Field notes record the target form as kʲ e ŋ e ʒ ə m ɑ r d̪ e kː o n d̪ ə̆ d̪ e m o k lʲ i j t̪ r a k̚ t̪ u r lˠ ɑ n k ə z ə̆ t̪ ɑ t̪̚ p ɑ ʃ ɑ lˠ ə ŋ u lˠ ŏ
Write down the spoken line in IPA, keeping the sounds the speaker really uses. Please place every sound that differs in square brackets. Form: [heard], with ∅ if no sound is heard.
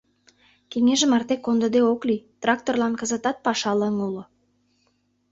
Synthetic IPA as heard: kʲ e ŋ e ʒ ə m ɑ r [t̪] e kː o n d̪ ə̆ d̪ e [∅] o k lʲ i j t̪ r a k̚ t̪ [o] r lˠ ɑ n k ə z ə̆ t̪ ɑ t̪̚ p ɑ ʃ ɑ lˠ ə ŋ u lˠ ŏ